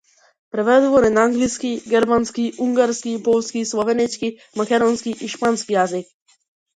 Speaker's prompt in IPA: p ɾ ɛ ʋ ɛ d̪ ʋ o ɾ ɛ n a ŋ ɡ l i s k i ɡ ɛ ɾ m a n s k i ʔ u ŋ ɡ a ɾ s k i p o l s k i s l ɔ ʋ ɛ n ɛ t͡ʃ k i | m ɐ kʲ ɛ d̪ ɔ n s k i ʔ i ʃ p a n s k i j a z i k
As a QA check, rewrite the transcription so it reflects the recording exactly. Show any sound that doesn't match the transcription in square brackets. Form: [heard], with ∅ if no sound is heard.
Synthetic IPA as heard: p ɾ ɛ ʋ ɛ d̪ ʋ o ɾ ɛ n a ŋ ɡ l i s k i ɡ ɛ ɾ m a n s k i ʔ u ŋ ɡ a ɾ s k i p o l s k i s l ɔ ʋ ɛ n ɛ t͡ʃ k i | m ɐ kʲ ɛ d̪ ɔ n s k i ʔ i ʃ p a n s k i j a z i k